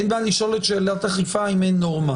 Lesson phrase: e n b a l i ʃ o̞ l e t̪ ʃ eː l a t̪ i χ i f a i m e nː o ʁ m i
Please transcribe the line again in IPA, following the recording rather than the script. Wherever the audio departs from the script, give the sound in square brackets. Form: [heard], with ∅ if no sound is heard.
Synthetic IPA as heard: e n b a l i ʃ o̞ l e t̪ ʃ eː l a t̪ [a] χ i f a i m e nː o ʁ m [a]